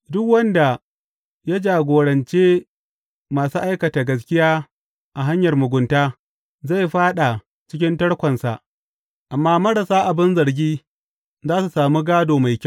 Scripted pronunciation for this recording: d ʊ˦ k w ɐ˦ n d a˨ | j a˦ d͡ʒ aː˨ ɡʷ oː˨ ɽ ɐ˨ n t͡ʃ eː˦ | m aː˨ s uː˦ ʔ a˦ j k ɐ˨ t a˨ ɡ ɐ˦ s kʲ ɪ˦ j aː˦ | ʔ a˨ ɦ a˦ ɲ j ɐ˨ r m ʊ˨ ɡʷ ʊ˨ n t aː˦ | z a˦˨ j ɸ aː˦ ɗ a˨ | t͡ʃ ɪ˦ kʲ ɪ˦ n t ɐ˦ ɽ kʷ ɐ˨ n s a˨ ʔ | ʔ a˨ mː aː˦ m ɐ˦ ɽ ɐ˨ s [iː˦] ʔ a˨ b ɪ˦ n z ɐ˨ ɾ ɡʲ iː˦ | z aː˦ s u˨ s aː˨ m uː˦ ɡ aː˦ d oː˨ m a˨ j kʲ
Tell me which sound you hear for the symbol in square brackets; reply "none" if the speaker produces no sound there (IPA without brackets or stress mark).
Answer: aː˦